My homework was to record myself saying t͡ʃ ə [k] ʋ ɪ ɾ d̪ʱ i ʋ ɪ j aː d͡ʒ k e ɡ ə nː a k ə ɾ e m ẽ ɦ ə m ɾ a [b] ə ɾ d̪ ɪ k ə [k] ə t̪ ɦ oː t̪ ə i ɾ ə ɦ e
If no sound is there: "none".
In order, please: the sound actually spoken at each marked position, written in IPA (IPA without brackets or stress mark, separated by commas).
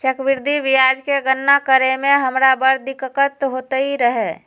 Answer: k, b, k